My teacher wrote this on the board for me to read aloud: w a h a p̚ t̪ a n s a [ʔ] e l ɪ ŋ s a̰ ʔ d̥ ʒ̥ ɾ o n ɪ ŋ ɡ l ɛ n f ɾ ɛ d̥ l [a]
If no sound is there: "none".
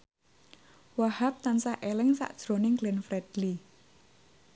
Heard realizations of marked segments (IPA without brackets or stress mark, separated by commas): ʔ, i